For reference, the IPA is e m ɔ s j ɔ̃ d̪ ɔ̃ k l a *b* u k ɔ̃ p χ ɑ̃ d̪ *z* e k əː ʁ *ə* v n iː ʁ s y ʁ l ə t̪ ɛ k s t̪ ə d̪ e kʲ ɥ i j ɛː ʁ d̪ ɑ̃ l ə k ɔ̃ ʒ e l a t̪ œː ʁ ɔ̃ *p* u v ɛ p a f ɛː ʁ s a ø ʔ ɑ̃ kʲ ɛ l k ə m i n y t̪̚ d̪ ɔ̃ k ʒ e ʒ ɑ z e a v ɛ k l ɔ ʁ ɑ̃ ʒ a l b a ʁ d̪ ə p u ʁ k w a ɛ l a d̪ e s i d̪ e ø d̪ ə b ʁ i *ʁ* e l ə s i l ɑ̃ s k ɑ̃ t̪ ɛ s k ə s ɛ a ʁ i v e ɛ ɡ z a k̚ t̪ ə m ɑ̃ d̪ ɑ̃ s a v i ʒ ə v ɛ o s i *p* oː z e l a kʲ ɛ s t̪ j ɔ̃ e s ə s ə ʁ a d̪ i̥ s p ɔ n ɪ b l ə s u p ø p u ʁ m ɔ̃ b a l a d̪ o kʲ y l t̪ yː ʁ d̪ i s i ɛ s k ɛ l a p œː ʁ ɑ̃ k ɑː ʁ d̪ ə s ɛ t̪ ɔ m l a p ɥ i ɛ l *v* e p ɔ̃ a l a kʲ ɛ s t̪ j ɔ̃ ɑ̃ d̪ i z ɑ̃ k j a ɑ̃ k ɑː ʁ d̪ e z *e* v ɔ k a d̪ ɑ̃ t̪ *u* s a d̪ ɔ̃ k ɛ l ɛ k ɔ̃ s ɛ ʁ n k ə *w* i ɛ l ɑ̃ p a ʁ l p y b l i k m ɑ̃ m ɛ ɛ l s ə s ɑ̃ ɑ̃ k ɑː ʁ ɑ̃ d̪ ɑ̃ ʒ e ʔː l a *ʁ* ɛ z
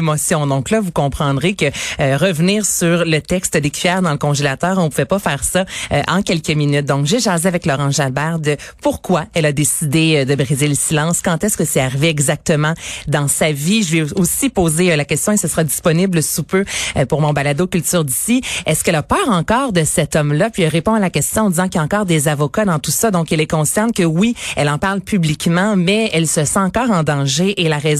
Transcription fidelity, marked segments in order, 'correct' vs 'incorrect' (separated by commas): incorrect, incorrect, correct, correct, incorrect, correct, incorrect, incorrect, correct, correct, correct